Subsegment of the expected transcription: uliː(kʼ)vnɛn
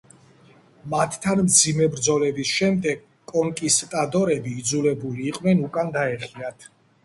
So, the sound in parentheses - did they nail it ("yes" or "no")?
no